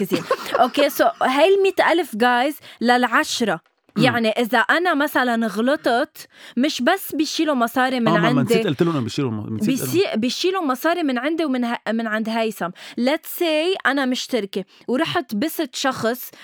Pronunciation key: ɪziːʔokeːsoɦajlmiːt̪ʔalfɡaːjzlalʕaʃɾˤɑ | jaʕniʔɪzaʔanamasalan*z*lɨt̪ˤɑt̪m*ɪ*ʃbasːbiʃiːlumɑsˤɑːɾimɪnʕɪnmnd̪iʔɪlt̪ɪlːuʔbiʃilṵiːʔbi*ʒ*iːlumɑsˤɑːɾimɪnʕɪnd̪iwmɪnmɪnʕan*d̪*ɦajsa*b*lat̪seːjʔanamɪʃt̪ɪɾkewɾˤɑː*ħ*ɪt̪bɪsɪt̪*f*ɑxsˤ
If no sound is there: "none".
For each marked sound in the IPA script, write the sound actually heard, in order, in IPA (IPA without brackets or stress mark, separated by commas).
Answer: ɣ, ɪ, ʃ, d̪, m, ħ, ʃ